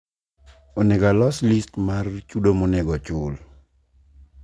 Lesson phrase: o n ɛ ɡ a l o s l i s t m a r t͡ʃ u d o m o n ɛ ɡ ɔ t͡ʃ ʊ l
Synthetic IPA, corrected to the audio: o n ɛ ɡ a l ɔ s l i s t m a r t͡ʃ u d o m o n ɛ ɡ ɔ t͡ʃ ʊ l